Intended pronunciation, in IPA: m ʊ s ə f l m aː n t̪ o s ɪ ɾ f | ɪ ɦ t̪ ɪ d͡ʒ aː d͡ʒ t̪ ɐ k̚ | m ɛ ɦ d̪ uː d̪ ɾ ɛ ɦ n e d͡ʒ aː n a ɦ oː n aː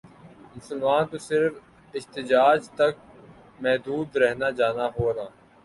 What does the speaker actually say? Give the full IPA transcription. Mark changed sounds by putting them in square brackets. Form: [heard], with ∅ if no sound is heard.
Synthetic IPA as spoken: m ʊ s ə [∅] l m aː n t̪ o s ɪ ɾ f | ɪ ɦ t̪ ɪ d͡ʒ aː d͡ʒ t̪ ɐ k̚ | m ɛ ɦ d̪ uː d̪ ɾ ɛ ɦ n [a] d͡ʒ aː n a ɦ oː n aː

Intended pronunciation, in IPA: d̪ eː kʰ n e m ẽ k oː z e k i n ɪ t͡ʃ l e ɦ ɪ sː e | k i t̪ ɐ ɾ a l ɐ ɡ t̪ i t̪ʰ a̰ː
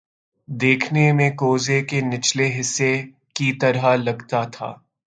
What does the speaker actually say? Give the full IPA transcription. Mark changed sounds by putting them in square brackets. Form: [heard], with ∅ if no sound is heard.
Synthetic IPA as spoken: d̪ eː kʰ n e m ẽ k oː z e k [e] n ɪ t͡ʃ l e ɦ ɪ sː e | k i t̪ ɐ ɾ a l ɐ ɡ t̪ [a] t̪ʰ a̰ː

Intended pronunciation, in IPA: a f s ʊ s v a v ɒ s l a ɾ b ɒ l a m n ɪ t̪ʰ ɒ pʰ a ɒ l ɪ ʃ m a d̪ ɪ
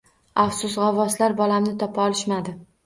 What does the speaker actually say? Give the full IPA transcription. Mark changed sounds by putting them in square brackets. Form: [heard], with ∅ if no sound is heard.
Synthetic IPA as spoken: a f s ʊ s [ʁ] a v ɒ s l a ɾ b ɒ l a m n ɪ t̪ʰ ɒ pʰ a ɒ l ɪ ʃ m a d̪ ɪ

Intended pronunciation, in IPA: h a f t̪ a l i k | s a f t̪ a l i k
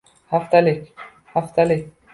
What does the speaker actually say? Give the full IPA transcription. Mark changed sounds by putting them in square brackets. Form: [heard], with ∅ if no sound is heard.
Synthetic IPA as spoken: h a f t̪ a l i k | [h] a f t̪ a l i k

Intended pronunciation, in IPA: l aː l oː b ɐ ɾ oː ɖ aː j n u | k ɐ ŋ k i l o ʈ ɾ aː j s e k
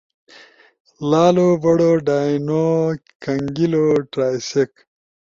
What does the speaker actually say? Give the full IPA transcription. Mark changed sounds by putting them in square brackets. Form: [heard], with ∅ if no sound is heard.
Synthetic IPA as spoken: l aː l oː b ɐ [ɽ] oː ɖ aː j n [o] | k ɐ ŋ [ɡ] i l o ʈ ɾ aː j s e k

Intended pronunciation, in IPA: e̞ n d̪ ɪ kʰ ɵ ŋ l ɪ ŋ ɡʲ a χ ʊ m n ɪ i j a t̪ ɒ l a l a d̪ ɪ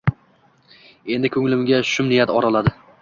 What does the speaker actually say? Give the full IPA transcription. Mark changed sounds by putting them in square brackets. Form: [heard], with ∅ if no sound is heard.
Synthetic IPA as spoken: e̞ n d̪ ɪ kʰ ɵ ŋ l ɪ [m] ɡʲ a [ʃ] ʊ m n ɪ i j a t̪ ɒ [ɾ] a l a d̪ ɪ

